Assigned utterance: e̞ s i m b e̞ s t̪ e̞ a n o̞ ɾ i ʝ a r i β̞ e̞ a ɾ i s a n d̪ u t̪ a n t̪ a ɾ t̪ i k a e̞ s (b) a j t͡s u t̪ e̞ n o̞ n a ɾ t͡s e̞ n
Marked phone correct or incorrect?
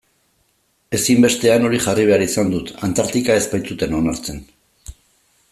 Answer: incorrect